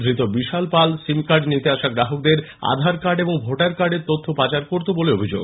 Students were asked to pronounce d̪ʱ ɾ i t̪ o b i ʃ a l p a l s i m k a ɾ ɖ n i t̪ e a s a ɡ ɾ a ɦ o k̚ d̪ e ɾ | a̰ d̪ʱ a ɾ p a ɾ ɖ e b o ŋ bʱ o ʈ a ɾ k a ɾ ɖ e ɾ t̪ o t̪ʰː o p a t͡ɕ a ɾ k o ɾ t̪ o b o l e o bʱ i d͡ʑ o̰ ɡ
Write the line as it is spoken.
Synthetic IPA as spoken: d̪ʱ ɾ i t̪ o b i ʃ a l p a l s i m k a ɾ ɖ n i t̪ e a ʃ a ɡ ɾ a ɦ o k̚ d̪ e ɾ | a̰ d̪ʱ a ɾ k a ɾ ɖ e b o ŋ bʱ o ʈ a ɾ k a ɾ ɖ e ɾ t̪ o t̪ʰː o p a t͡ɕ a ɾ k o ɾ t̪ o b o l e o bʱ i d͡ʑ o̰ ɡ